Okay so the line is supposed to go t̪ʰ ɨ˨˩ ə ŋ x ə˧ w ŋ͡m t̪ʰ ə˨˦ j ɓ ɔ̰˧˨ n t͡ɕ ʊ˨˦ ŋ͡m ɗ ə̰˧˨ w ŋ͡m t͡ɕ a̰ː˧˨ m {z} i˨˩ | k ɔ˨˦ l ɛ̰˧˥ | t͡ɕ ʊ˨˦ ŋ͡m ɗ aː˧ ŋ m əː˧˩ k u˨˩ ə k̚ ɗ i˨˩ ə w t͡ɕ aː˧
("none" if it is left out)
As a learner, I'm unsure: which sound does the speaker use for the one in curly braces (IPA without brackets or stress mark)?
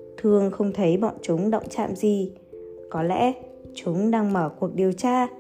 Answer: z